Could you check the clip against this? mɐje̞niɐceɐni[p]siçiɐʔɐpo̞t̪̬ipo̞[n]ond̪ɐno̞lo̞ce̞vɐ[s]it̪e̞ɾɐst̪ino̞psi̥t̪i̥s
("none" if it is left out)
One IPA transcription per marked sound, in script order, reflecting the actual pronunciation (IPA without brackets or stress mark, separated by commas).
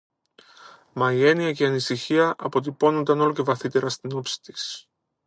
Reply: none, n, θ